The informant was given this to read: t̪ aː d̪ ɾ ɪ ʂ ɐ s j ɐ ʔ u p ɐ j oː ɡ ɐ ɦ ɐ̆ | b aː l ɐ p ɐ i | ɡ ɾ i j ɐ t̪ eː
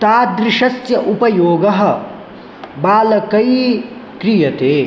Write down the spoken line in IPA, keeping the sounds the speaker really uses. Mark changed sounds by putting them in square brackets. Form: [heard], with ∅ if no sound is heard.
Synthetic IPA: t̪ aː d̪ ɾ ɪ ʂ ɐ s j ɐ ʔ u p ɐ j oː ɡ ɐ ɦ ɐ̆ | b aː l ɐ [k] ɐ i | [k] ɾ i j ɐ t̪ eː